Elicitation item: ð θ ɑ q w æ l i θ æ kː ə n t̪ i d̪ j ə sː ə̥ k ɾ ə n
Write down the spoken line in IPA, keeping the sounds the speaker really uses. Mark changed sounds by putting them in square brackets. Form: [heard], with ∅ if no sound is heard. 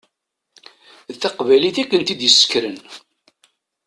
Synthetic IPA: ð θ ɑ q [v] æ l i θ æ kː ə n t̪ i d̪ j ə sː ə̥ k ɾ ə n